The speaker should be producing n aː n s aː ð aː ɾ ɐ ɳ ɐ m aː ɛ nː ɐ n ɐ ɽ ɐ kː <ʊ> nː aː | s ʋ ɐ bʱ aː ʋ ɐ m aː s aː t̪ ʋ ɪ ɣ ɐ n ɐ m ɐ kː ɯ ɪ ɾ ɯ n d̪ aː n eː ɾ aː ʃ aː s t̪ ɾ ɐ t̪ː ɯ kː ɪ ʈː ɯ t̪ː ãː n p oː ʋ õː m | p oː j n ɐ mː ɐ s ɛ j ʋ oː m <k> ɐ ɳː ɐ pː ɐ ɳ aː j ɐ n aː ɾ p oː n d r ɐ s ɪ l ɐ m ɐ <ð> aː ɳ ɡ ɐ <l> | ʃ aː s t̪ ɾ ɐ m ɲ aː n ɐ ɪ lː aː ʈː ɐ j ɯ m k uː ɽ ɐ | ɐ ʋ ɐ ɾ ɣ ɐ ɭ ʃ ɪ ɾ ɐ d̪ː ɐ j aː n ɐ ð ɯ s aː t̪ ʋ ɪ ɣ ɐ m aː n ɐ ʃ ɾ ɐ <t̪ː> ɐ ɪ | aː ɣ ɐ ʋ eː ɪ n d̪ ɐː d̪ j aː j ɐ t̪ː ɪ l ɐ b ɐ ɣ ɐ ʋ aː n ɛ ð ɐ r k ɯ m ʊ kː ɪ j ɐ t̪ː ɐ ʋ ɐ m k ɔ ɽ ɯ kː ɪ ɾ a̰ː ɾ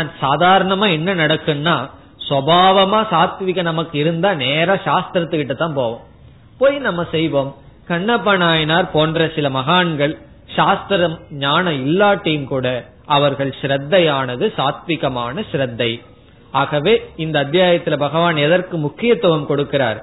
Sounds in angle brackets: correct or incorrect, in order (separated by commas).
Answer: incorrect, correct, incorrect, incorrect, incorrect